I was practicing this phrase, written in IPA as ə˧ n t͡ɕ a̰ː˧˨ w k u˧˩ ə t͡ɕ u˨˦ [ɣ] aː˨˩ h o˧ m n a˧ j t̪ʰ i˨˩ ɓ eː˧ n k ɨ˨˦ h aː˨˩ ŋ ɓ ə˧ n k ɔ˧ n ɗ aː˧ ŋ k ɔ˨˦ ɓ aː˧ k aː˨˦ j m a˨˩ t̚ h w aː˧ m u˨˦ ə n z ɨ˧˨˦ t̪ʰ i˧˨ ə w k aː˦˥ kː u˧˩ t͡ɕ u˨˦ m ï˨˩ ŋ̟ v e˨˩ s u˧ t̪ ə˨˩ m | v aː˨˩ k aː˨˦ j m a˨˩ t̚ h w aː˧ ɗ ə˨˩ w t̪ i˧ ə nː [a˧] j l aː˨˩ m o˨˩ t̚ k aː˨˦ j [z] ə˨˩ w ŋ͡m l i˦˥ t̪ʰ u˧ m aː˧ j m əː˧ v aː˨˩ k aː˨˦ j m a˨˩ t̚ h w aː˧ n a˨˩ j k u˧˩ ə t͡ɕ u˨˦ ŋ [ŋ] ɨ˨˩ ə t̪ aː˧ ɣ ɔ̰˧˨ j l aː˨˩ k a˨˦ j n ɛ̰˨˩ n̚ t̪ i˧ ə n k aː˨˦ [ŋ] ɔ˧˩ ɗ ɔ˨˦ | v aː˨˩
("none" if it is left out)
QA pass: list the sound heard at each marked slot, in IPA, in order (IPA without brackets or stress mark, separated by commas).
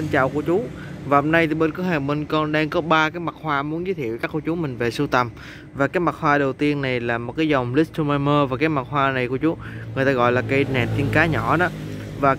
v, a˨˩, z, ŋ, ɲ